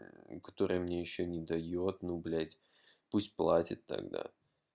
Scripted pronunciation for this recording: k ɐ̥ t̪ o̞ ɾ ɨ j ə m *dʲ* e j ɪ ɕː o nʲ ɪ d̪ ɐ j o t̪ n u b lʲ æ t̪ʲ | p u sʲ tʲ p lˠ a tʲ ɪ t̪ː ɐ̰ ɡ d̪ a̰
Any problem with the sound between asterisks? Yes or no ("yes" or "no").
yes